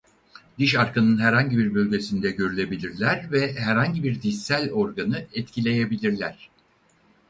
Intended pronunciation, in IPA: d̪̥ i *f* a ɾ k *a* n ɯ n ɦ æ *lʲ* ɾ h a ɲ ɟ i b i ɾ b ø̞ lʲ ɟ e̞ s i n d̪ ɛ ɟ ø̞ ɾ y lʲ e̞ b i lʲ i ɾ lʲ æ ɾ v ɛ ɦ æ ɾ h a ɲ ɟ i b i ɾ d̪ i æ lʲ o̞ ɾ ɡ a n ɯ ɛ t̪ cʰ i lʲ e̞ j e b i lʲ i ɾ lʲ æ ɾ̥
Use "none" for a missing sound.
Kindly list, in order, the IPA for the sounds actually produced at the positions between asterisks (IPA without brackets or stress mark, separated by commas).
ʃ, a, none